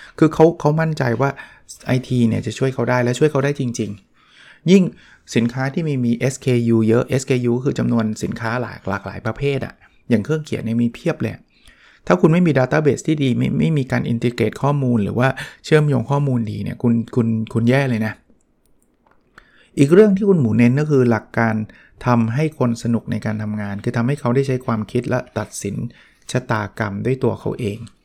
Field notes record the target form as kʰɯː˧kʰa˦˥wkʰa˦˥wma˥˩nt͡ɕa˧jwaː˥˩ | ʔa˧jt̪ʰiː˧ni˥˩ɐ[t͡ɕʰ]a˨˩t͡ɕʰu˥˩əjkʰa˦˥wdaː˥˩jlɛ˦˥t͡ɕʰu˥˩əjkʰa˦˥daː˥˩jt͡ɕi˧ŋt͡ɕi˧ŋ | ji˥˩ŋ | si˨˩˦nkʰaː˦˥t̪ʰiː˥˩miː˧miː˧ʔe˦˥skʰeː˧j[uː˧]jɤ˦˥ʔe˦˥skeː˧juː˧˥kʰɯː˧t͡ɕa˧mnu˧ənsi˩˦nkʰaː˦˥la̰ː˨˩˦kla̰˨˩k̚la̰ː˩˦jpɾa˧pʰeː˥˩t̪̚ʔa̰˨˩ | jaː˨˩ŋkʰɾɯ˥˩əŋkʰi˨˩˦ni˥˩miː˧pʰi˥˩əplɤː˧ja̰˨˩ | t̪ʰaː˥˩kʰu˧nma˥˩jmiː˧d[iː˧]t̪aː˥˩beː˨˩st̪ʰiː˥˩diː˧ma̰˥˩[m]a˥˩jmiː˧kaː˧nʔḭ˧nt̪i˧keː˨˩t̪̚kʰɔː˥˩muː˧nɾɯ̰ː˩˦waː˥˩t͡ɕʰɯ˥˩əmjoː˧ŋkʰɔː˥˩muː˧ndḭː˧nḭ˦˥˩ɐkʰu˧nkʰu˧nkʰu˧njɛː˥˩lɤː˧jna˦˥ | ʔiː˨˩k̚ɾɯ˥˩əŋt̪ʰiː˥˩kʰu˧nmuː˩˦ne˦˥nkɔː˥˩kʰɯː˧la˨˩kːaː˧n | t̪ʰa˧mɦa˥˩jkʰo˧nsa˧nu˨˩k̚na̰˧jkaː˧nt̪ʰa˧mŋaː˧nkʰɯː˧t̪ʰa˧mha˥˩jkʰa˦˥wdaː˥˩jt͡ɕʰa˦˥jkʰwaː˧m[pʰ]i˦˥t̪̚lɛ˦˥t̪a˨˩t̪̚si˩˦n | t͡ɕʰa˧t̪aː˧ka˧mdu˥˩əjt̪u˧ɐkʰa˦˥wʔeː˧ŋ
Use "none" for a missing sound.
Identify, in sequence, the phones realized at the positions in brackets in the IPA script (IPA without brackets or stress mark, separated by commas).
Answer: t͡ɕ, uː˧, aː˧, m, kʰ